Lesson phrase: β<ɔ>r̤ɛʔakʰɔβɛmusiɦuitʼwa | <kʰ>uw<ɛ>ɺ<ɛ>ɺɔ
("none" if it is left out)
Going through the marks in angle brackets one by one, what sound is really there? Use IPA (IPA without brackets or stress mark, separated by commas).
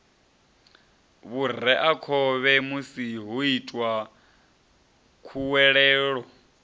u, kʰ, ɛ, ɛː